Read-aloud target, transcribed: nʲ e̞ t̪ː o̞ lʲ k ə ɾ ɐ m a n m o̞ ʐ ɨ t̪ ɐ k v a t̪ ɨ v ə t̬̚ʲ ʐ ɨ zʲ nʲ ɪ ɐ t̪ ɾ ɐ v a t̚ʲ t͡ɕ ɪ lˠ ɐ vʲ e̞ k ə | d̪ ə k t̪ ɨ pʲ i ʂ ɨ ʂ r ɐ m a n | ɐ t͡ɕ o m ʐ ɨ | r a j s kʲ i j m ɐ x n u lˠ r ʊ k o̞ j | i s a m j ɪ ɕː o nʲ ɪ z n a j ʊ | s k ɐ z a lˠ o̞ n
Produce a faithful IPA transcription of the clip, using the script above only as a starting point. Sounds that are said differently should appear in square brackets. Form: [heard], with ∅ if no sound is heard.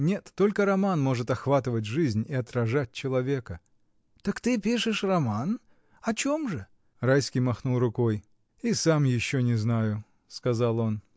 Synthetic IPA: nʲ e̞ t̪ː o̞ lʲ k ə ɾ ɐ m a n m o̞ ʐ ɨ t̪ ɐ [x] v a t̪ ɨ v ə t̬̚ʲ ʐ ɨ zʲ nʲ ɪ ɐ t̪ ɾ ɐ [ʐ] a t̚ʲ t͡ɕ ɪ lˠ ɐ vʲ e̞ k ə | [t̪] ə k t̪ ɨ pʲ i ʂ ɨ ʂ r ɐ m a n | ɐ t͡ɕ o m ʐ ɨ | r a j s kʲ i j m ɐ x n u lˠ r ʊ k o̞ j | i s a m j ɪ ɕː o nʲ ɪ z n a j ʊ | s k ɐ z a lˠ o̞ n

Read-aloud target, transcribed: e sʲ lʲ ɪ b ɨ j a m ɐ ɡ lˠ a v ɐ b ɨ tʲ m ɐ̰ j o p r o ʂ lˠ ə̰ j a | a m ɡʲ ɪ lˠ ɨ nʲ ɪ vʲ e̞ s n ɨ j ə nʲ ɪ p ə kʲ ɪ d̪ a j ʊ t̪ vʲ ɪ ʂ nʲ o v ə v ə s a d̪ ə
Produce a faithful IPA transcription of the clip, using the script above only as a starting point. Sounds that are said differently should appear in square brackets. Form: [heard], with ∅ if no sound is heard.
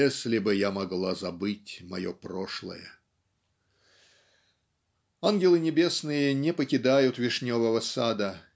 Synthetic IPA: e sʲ lʲ ɪ b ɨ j a m ɐ ɡ lˠ a [z] ɐ b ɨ tʲ m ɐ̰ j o p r o ʂ lˠ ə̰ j [ə] | a [n] ɡʲ ɪ lˠ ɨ nʲ ɪ [bʲ] e̞ s n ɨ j ə nʲ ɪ p ə kʲ ɪ d̪ a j ʊ t̪ vʲ ɪ ʂ nʲ o v ə v ə s a d̪ ə

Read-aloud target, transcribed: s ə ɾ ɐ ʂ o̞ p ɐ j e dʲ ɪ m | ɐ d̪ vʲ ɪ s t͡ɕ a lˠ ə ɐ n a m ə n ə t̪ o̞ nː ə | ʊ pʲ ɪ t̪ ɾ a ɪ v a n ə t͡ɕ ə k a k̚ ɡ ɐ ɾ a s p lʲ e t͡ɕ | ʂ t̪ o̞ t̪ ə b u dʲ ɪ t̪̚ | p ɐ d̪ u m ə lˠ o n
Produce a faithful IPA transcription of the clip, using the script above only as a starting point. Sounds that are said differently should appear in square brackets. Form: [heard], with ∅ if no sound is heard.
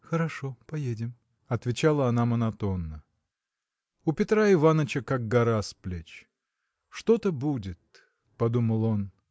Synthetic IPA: [x] ə ɾ ɐ ʂ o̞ p ɐ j e dʲ ɪ m | ɐ [t̪] vʲ ɪ [∅] t͡ɕ a lˠ ə ɐ n a m ə n [ɐ] t̪ o̞ nː ə | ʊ pʲ ɪ t̪ ɾ a ɪ v a n ə t͡ɕ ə k a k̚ ɡ ɐ ɾ a s p lʲ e t͡ɕ | ʂ t̪ o̞ t̪ ə b u dʲ ɪ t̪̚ | p ɐ d̪ u m ə lˠ o n

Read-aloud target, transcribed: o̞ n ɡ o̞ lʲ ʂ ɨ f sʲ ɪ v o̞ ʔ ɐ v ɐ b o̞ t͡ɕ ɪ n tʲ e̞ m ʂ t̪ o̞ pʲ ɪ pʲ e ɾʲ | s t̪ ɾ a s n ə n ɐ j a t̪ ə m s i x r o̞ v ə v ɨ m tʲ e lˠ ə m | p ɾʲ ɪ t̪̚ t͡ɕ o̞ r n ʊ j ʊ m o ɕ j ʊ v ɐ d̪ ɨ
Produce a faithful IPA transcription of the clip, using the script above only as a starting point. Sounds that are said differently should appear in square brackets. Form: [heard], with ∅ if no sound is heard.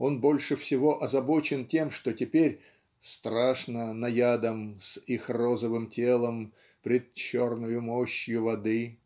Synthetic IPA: o̞ n [b] o̞ lʲ ʂ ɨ f sʲ ɪ v o̞ ʔ ɐ [z] ɐ b o̞ t͡ɕ ɪ n tʲ e̞ m ʂ t̪ o̞ [tʲ] ɪ pʲ e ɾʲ | s t̪ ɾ a [ʂ] n ə n ɐ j a [d̪] ə m s i x r o̞ [z] ə v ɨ m tʲ e lˠ ə m | p ɾʲ ɪ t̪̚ t͡ɕ o̞ r n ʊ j ʊ m o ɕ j ʊ v ɐ d̪ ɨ

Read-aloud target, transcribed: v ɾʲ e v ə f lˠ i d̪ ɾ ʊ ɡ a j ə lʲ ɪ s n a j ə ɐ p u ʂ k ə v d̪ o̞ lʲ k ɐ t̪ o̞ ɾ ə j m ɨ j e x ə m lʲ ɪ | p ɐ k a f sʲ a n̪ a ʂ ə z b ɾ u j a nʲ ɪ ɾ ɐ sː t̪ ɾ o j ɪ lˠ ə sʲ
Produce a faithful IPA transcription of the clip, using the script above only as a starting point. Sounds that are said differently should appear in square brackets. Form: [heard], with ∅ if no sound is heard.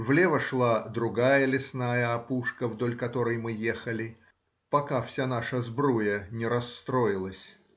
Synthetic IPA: v [lʲ] e v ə [ʂ] lˠ [a] d̪ ɾ ʊ ɡ a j ə lʲ ɪ s n a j ə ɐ p u ʂ k ə v d̪ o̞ lʲ k ɐ t̪ o̞ ɾ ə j m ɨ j e x ə [∅] lʲ ɪ | p ɐ k a f sʲ a n̪ a ʂ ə z b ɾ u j [ə] nʲ ɪ ɾ ɐ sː t̪ ɾ o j ɪ lˠ ə sʲ

